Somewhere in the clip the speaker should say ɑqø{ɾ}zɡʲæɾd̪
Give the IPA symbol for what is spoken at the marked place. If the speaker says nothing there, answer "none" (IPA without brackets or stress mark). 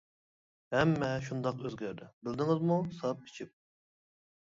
none